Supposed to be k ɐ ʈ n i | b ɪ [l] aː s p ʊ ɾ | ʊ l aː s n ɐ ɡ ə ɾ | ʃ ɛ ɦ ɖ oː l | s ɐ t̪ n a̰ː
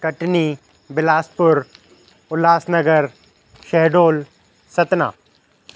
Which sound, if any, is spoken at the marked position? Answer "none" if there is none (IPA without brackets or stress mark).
l